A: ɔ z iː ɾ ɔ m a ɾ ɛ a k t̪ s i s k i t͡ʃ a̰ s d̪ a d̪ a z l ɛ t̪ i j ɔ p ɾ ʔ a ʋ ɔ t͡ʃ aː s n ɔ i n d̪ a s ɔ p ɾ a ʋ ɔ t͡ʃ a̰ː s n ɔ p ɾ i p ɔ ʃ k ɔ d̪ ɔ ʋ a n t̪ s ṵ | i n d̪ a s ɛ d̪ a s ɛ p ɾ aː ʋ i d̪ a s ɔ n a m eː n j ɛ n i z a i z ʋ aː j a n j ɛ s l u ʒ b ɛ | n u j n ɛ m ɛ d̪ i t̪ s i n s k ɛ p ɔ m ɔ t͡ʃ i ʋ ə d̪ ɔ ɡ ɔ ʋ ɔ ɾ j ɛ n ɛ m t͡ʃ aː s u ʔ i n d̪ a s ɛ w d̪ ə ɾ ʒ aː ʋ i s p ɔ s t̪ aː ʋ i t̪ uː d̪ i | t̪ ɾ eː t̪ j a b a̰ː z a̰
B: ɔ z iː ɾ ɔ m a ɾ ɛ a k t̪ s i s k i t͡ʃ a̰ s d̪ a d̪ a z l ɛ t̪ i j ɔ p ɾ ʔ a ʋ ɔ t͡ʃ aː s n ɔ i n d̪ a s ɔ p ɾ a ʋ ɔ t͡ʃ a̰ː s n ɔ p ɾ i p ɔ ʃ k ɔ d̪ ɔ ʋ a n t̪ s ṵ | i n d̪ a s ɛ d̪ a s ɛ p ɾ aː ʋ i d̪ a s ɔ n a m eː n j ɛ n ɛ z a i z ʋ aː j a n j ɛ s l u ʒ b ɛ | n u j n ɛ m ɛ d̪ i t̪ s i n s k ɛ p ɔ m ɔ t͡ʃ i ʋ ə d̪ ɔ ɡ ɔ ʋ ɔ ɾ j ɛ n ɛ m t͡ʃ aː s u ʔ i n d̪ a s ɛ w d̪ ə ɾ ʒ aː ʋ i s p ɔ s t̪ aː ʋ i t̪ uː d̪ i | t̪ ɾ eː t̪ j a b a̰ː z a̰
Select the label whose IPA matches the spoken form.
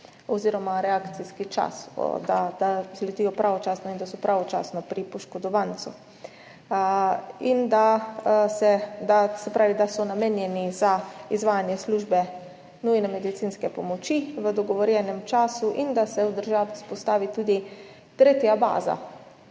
A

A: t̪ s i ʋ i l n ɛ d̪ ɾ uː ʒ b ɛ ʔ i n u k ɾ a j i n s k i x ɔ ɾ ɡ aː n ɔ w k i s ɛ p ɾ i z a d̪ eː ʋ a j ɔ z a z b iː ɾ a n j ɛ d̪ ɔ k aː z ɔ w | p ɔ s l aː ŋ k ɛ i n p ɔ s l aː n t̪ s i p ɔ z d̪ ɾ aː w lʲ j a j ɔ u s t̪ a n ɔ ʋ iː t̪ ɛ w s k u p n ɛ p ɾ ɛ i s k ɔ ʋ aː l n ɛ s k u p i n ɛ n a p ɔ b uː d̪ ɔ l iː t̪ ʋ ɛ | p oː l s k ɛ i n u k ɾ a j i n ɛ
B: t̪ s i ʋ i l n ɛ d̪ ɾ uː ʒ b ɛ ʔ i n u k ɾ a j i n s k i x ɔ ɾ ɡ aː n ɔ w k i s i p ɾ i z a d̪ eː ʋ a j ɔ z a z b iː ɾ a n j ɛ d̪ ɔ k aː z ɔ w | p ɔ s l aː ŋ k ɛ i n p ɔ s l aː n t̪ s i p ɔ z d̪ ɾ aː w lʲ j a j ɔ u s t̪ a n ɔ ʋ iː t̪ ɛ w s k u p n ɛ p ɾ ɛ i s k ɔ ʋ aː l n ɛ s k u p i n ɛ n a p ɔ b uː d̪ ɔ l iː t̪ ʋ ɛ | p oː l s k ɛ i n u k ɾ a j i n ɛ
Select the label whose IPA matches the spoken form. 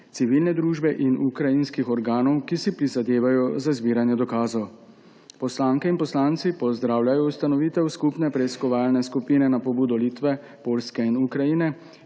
B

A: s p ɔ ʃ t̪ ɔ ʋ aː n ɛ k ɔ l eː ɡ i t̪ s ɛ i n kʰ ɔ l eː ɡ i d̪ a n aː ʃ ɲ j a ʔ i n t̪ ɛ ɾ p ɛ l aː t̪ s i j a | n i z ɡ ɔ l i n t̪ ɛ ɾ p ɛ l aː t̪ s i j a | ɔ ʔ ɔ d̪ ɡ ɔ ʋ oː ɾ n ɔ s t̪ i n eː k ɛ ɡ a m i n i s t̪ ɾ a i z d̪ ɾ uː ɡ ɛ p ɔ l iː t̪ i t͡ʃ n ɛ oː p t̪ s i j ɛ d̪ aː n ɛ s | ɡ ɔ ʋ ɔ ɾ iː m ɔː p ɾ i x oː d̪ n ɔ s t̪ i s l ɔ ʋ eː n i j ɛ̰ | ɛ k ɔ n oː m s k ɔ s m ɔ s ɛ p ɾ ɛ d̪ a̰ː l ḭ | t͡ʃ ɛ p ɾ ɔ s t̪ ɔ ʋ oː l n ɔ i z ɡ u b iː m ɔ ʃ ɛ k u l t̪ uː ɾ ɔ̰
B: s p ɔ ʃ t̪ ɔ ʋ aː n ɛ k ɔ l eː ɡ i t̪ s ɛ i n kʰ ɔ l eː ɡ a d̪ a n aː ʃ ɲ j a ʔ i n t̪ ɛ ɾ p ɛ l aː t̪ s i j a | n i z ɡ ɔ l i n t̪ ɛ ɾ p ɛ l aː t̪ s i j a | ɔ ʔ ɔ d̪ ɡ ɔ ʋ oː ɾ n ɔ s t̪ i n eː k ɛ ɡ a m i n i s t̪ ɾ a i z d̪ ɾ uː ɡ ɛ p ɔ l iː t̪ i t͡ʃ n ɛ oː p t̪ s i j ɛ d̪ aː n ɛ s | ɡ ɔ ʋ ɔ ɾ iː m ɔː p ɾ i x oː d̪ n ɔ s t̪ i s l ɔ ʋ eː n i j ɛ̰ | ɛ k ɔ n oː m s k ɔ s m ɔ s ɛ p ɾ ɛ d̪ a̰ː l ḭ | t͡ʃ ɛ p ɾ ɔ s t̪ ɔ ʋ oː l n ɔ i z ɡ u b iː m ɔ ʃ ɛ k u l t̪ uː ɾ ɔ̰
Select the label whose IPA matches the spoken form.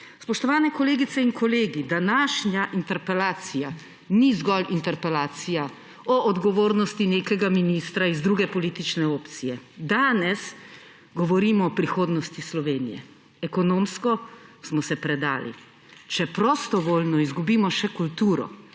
A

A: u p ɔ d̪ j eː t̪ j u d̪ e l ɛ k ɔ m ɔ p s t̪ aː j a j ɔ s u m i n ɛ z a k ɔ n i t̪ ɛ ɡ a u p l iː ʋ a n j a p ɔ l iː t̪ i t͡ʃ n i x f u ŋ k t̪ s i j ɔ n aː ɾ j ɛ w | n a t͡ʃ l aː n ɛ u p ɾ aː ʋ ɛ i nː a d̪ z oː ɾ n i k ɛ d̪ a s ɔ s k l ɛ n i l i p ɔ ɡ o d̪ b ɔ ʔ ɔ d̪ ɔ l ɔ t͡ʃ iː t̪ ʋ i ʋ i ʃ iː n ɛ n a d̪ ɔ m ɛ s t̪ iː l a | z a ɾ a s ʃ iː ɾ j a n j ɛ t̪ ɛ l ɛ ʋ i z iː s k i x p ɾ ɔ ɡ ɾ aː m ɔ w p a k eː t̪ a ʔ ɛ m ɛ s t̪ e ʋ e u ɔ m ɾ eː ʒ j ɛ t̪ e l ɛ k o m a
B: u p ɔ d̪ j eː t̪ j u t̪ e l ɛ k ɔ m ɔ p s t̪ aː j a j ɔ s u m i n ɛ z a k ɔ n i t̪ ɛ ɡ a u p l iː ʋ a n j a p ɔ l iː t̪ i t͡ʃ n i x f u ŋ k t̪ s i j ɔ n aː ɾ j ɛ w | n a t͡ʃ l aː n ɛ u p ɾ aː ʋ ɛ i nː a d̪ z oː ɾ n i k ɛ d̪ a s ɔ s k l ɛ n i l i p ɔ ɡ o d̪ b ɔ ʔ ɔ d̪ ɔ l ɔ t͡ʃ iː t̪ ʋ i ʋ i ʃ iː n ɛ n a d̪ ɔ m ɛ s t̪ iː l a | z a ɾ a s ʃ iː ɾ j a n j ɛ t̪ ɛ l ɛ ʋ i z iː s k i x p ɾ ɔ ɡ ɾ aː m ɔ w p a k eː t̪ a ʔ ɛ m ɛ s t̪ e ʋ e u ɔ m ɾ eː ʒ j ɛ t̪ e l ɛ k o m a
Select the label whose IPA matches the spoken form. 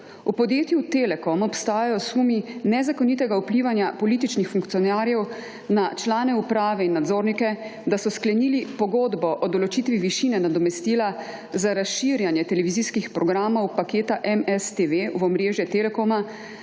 B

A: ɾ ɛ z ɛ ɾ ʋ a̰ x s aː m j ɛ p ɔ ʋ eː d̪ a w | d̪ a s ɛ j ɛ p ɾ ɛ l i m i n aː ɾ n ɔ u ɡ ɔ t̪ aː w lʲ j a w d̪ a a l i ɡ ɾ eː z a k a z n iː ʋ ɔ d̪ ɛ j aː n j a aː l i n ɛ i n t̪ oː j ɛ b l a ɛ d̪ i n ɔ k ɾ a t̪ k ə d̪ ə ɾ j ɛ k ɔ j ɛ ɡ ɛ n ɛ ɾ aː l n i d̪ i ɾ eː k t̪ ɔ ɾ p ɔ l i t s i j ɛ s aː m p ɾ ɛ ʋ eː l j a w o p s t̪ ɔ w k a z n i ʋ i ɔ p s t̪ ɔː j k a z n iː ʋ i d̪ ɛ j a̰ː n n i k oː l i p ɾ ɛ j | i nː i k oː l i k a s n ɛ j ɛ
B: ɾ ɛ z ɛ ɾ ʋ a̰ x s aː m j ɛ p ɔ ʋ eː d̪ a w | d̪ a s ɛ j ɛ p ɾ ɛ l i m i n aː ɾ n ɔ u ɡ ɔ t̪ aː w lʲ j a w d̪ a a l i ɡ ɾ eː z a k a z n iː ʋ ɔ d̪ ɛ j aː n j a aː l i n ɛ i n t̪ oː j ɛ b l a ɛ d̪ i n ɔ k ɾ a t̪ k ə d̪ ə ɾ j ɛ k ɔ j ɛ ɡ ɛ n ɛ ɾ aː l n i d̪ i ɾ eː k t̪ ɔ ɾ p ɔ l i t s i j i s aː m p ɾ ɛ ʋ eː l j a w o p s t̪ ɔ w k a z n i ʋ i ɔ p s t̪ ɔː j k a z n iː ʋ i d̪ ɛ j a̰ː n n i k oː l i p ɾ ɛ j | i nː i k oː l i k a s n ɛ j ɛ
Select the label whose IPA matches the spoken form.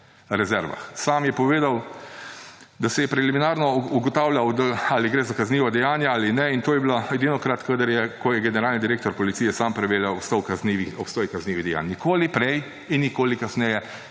A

